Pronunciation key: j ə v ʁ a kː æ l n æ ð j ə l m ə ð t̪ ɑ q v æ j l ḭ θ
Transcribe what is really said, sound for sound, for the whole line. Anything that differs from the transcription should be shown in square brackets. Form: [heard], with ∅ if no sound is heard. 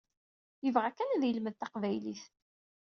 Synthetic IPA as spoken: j ə v ʁ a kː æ [∅] n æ ð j ə l m ə ð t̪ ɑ q v æ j l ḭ θ